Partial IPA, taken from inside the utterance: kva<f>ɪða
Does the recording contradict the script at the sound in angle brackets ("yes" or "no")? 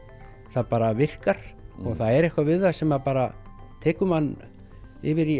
yes